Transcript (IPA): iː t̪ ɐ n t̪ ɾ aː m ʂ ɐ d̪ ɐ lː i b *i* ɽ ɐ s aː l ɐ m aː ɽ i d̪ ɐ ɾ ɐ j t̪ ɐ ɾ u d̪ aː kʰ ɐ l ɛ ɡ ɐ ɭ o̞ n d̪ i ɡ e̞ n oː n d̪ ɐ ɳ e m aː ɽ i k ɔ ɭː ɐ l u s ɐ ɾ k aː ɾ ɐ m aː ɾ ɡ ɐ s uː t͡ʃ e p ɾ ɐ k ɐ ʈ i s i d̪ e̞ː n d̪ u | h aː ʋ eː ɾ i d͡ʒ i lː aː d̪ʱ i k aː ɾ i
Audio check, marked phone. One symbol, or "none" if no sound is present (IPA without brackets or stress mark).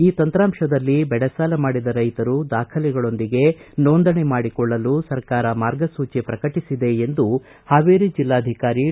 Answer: ɛ